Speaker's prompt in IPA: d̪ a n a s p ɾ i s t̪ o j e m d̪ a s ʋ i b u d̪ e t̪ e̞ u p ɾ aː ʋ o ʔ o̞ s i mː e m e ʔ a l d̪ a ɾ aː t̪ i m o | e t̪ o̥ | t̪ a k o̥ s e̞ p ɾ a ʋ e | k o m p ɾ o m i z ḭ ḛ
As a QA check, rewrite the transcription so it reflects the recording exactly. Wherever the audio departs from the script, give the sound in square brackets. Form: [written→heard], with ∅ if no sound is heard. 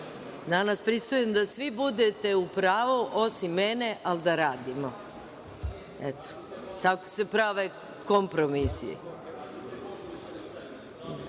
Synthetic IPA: d̪ a n a s p ɾ i s t̪ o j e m d̪ a s ʋ i b u d̪ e t̪ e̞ u p ɾ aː ʋ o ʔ o̞ s i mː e [m→n] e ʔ a l d̪ a ɾ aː [t̪→d̪] i m o | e t̪ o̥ | t̪ a k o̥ s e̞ p ɾ a ʋ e | k o m p ɾ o m i [z→s] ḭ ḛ